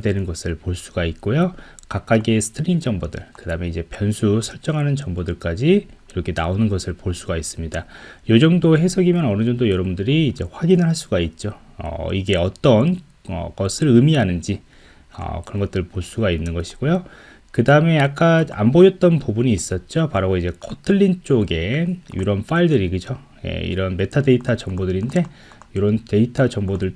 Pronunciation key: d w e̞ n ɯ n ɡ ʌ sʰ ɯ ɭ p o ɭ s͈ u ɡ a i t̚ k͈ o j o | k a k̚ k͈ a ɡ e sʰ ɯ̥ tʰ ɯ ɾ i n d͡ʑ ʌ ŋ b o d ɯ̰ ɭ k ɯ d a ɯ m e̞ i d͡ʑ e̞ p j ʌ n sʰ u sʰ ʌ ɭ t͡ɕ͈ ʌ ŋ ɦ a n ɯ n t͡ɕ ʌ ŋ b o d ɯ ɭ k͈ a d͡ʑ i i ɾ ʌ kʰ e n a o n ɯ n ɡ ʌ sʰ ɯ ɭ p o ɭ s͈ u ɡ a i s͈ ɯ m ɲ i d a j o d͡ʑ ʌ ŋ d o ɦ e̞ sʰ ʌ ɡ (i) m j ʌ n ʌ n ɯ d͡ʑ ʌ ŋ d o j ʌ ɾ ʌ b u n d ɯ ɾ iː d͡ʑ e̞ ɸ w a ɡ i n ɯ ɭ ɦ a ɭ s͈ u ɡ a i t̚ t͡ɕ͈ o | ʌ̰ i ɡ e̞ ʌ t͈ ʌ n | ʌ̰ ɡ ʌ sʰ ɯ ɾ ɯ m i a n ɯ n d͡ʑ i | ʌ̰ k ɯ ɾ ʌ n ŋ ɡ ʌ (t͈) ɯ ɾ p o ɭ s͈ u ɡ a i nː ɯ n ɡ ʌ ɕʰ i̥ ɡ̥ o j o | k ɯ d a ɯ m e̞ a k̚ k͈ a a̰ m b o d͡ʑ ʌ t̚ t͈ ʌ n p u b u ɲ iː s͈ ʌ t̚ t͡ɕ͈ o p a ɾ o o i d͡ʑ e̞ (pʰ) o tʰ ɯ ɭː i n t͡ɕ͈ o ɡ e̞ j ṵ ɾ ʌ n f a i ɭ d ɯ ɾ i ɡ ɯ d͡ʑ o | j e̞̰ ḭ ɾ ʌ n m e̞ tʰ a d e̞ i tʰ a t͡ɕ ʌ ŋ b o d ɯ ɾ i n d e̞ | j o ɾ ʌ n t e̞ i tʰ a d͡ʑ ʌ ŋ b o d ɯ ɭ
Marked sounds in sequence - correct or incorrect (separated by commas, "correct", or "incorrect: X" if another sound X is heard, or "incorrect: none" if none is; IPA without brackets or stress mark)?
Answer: correct, correct, incorrect: kʰ